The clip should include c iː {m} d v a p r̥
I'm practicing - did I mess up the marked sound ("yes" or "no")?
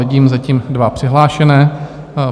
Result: no